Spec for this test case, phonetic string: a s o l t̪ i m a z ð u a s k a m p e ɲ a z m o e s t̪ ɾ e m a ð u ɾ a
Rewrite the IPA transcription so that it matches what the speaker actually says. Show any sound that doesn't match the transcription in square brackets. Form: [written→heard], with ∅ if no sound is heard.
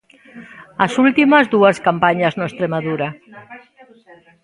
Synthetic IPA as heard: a s [o→u] l t̪ i m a z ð u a s k a m p [e→a] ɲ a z [m→n] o e s t̪ ɾ e m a ð u ɾ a